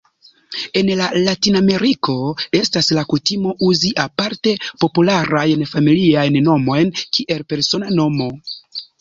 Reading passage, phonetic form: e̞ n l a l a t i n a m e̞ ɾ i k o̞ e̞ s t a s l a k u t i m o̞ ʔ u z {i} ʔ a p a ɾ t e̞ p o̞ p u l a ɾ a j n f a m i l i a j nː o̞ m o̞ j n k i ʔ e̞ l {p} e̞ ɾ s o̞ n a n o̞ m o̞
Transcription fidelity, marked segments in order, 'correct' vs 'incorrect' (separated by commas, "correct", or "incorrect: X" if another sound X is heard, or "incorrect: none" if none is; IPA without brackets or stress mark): correct, correct